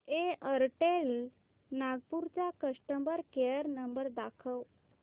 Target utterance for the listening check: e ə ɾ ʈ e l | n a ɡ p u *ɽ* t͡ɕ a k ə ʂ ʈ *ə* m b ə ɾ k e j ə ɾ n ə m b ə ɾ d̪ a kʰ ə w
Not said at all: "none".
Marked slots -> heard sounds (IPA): ɾ, ə

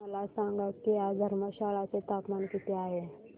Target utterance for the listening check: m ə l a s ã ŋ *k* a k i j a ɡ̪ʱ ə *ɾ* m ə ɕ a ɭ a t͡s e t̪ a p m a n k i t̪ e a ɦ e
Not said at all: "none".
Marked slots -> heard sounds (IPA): ɡ, ɾ

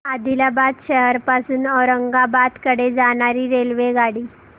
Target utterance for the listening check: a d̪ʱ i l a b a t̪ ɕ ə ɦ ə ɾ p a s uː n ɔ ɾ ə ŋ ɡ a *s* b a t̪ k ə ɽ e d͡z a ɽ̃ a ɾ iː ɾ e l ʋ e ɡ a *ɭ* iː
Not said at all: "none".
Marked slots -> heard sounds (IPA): none, ɽ

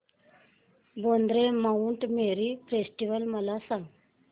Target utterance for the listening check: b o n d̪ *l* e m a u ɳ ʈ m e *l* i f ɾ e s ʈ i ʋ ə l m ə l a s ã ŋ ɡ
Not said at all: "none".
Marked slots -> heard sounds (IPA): ɾ, ɾ

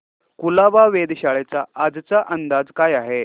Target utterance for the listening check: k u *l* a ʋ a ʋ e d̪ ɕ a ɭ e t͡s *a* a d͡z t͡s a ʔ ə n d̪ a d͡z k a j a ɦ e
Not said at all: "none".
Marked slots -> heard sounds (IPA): l, a

